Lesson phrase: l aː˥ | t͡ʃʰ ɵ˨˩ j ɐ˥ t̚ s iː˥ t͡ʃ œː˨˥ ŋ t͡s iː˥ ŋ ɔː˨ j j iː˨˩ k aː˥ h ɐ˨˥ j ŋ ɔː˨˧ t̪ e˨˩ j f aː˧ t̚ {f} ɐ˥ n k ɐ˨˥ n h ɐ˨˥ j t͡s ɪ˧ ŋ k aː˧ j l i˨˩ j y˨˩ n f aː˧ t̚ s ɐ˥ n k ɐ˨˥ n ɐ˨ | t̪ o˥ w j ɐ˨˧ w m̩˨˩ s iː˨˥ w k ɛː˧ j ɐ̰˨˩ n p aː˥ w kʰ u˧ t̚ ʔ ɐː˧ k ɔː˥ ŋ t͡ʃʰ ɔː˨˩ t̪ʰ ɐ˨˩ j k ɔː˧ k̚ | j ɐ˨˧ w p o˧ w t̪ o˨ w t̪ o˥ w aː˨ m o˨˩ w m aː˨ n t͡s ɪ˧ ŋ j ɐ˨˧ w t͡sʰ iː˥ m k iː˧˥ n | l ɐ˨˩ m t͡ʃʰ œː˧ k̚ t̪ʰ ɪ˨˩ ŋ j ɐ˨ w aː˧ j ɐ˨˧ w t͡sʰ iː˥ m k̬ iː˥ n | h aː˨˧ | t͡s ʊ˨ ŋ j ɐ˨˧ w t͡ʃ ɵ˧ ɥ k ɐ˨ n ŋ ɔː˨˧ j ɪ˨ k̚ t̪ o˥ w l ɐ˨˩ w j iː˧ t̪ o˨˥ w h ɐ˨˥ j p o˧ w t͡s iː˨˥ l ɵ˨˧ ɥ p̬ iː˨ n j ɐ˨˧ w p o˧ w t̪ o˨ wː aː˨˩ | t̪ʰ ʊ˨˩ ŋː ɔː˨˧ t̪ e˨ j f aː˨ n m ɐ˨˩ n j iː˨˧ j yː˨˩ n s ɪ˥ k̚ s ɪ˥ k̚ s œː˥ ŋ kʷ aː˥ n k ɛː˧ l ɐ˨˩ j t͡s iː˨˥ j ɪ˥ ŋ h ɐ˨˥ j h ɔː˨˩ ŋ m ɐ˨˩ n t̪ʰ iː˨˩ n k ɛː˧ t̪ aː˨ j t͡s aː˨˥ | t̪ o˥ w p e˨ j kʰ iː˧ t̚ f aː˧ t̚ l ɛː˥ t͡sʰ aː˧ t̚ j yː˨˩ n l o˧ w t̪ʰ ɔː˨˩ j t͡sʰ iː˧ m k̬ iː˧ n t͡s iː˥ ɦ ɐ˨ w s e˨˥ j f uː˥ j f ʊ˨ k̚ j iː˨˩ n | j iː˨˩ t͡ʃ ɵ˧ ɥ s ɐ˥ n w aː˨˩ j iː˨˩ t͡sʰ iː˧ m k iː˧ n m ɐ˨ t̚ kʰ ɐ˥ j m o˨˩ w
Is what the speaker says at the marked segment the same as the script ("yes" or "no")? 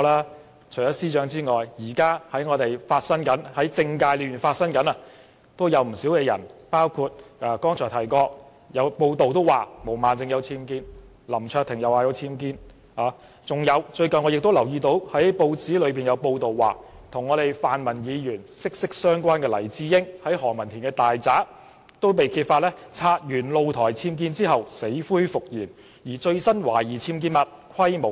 no